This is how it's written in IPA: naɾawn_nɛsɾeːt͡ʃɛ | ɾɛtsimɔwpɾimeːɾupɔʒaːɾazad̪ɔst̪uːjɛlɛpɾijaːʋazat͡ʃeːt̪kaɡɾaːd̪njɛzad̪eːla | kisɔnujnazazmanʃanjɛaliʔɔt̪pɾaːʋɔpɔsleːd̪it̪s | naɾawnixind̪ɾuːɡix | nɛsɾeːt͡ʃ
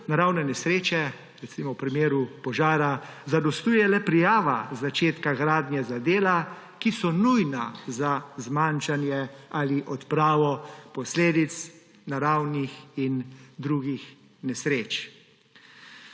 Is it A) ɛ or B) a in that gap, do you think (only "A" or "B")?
A